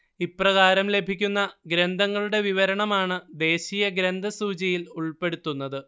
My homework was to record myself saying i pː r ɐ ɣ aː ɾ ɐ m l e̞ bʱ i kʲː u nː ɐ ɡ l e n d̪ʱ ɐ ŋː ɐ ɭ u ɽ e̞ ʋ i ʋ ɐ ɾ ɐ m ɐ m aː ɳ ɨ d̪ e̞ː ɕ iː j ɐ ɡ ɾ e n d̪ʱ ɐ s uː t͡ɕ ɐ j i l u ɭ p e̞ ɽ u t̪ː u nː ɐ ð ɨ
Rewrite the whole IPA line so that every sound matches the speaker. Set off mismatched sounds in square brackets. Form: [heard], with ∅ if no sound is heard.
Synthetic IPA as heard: i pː r ɐ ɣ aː ɾ ɐ m l e̞ bʱ i kʲː u nː ɐ ɡ [ɾ] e n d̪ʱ ɐ ŋː ɐ ɭ u ɽ e̞ ʋ i ʋ ɐ ɾ ɐ [ɳ] ɐ m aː ɳ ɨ d̪ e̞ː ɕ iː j ɐ ɡ ɾ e n d̪ʱ ɐ s uː t͡ɕ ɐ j i l u ɭ p e̞ ɽ u t̪ː u nː ɐ ð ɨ